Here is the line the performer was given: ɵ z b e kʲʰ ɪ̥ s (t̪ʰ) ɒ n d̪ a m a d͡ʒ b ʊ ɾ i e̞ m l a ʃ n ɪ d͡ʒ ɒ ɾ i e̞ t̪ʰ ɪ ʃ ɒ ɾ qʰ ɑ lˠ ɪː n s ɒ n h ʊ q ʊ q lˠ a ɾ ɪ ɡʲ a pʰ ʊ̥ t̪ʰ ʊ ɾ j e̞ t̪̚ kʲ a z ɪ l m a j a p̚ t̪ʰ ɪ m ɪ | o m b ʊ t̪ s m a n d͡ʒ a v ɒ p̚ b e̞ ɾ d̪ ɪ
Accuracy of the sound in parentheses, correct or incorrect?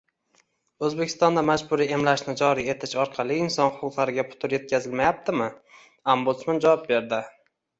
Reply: incorrect